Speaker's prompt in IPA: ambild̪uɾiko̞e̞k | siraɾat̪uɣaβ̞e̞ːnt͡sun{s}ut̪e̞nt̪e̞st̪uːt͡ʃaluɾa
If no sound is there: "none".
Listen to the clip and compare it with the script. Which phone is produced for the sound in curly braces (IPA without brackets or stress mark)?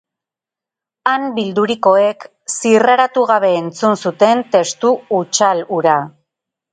s